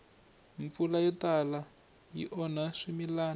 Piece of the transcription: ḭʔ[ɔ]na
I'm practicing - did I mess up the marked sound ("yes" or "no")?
no